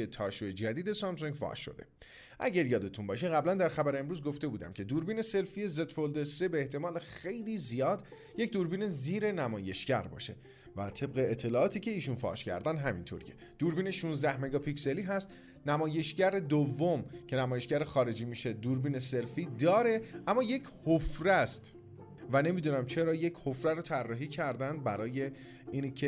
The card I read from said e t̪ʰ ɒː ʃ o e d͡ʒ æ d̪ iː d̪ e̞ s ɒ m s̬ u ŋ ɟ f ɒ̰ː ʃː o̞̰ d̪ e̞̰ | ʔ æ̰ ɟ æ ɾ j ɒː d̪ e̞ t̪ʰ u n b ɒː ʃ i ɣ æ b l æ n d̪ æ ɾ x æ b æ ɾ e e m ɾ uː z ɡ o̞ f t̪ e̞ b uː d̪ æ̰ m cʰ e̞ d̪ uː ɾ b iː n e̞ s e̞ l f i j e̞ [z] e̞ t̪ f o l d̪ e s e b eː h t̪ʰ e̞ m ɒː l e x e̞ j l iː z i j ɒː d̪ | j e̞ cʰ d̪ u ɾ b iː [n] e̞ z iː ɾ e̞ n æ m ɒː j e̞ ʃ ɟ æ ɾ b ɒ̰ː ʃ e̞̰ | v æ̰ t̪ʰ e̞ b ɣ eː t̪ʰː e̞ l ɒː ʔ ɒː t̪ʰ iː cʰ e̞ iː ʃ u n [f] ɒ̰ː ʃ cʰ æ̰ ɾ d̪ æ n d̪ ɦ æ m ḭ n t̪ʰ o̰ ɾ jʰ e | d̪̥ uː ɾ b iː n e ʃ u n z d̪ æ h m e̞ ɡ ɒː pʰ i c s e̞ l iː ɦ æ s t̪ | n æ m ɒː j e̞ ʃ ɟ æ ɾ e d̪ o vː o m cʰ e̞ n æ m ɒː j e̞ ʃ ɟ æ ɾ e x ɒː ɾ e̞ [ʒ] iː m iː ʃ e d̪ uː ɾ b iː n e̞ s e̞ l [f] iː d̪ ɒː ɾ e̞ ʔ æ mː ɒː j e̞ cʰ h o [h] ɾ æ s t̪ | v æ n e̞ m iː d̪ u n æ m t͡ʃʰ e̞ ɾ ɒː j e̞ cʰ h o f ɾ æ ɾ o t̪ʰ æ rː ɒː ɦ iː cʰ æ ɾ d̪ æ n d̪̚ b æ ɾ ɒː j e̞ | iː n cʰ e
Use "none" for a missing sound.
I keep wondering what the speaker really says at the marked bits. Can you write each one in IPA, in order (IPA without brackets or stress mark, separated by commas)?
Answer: z, n, f, d͡ʒ, f, f